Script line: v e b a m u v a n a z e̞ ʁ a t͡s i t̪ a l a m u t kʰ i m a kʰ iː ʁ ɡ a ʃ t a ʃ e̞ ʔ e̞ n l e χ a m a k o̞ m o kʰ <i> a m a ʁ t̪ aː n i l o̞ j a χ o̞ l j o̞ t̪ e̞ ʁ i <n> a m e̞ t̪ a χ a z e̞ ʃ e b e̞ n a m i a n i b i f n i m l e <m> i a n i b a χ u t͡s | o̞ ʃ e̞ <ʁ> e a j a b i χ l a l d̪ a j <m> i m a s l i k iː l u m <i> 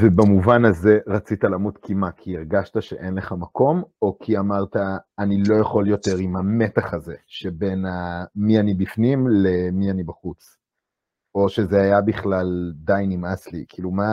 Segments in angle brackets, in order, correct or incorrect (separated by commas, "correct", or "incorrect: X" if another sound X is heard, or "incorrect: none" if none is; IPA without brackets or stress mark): correct, incorrect: m, correct, incorrect: z, incorrect: n, incorrect: a